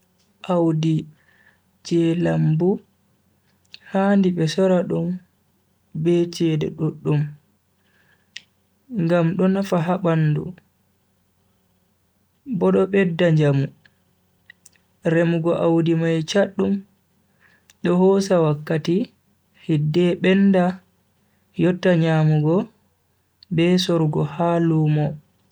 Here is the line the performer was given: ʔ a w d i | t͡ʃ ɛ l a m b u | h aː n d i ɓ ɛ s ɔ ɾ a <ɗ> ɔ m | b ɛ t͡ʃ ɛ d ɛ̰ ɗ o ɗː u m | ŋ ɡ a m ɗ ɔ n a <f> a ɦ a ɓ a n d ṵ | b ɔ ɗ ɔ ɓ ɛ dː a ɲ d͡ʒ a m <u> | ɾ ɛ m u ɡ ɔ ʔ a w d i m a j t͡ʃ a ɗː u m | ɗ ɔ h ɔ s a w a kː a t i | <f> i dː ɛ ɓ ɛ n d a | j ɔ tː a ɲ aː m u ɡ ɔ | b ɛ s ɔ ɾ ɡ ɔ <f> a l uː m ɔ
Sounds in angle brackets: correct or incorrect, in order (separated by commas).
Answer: correct, correct, correct, incorrect, incorrect